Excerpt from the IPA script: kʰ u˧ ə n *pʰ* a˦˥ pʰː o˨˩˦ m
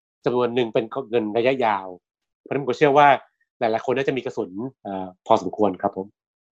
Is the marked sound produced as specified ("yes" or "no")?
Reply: no